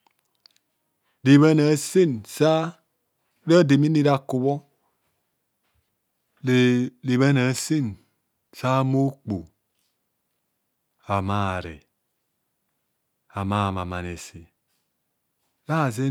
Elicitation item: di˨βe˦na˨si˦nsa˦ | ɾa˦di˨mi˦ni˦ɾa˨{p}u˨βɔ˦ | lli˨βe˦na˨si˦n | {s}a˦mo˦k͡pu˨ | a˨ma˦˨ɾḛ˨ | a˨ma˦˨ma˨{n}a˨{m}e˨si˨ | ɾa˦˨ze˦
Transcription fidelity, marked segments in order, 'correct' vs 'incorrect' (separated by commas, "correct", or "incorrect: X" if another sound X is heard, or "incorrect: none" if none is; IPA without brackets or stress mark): incorrect: k, correct, incorrect: m, incorrect: n